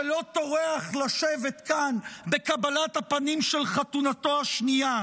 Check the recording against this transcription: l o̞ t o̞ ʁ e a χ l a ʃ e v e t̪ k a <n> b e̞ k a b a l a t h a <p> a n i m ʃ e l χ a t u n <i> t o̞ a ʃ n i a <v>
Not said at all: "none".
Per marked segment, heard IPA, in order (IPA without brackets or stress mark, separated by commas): n, p, a, none